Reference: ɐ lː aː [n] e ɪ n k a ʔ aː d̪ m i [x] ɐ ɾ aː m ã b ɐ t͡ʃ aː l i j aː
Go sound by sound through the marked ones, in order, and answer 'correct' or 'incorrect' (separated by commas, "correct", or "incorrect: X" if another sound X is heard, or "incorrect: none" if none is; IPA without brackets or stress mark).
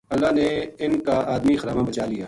correct, correct